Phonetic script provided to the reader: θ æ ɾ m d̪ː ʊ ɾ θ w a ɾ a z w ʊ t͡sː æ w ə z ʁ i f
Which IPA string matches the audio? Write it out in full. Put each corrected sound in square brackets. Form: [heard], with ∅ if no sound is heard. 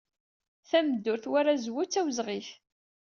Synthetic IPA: θ æ [∅] m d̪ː ʊ ɾ θ w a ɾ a z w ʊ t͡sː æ w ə z ʁ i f